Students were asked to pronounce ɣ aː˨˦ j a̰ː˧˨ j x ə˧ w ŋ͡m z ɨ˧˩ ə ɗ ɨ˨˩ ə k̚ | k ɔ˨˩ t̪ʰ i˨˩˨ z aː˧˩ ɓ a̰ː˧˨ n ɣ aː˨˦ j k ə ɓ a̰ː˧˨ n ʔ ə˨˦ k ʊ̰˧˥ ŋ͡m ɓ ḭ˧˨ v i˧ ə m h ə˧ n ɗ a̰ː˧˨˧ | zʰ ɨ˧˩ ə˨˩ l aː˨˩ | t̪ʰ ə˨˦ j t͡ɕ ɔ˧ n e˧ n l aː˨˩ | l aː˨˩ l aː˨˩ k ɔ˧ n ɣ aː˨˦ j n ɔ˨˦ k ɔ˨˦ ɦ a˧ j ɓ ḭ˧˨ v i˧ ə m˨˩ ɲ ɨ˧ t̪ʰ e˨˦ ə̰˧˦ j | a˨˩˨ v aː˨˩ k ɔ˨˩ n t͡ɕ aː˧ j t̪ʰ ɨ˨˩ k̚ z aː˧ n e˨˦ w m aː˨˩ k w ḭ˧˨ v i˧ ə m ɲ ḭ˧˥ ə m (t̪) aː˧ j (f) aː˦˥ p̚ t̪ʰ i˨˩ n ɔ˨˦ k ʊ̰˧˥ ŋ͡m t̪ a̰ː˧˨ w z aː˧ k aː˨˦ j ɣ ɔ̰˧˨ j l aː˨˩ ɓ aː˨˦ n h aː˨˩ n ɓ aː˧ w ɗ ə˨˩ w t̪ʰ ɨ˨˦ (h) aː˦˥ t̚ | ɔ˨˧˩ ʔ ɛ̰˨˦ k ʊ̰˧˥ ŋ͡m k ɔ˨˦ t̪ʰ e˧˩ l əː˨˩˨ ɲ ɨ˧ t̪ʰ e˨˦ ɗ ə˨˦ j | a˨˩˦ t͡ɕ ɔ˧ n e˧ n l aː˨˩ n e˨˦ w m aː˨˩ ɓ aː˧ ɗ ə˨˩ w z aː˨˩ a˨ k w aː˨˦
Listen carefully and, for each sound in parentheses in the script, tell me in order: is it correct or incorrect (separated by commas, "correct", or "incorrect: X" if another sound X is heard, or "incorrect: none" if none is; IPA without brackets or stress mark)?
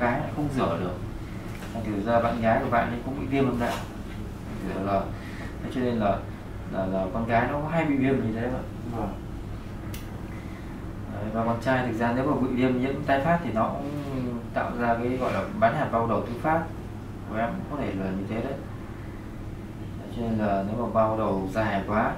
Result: correct, correct, incorrect: f